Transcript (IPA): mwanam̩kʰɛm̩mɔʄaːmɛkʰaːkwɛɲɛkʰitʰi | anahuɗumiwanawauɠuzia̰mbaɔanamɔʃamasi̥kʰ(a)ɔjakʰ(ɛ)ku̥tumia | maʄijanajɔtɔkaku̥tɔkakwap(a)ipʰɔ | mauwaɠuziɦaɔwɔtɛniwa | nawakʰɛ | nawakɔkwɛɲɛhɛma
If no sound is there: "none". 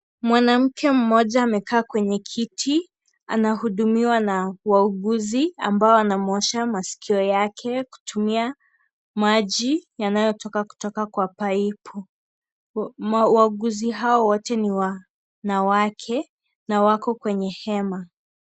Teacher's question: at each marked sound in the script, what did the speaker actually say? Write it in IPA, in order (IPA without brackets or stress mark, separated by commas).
i, ɛ, a